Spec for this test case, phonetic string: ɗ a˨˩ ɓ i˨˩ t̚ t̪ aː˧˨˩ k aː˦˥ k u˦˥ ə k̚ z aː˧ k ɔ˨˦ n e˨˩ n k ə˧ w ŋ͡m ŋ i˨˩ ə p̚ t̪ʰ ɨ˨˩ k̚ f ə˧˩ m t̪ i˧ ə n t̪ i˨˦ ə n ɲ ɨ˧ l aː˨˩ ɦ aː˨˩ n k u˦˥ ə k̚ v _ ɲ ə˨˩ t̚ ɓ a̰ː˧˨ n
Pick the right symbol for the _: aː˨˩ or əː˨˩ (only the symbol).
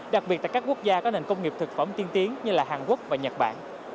aː˨˩